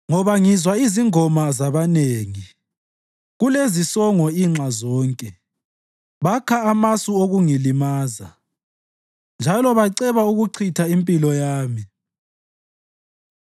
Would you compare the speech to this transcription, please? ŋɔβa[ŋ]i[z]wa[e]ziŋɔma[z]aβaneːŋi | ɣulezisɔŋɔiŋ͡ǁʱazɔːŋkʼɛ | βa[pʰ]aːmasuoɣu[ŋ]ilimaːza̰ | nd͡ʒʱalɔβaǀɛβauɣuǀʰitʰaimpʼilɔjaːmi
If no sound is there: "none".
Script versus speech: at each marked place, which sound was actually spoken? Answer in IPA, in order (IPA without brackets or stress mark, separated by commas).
ŋ, z, i, z, kʰ, ŋ